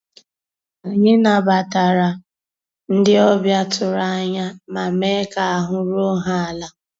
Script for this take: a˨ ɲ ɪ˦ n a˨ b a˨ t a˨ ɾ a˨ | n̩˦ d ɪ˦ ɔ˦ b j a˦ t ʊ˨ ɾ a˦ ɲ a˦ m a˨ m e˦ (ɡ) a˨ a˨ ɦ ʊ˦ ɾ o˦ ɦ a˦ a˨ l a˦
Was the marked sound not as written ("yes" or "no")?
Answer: yes